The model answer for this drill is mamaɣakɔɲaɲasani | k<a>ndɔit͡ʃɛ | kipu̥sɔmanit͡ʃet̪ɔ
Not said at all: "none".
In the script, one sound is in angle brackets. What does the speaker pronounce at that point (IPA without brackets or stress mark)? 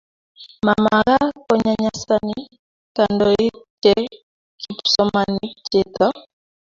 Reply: a